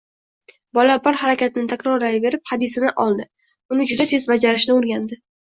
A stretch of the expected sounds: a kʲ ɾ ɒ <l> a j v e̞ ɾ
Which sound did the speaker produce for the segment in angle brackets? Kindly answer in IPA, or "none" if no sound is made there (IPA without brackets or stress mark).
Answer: ɾ